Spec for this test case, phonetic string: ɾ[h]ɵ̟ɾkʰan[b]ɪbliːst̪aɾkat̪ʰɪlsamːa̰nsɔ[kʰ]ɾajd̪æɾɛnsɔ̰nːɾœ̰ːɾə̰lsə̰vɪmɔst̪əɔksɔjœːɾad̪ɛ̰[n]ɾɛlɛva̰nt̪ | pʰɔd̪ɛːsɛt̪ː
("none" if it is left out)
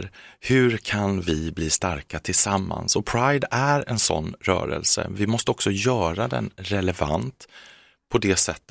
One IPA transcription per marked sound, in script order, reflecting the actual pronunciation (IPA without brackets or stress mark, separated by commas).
h, v, pʰ, n